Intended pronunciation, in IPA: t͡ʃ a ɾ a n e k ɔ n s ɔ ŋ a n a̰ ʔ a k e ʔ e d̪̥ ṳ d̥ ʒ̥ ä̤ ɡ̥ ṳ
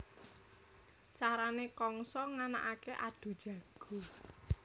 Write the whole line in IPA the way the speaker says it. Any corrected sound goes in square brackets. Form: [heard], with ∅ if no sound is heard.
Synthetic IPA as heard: t͡ʃ a ɾ a n e k ɔ [ŋ] s ɔ ŋ a n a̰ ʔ a k e ʔ [a] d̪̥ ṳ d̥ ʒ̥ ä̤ ɡ̥ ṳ